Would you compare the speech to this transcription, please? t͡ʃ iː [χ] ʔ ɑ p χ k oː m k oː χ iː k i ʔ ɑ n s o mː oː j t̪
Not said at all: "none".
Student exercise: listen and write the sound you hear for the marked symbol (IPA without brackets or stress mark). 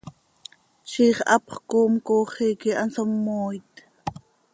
χ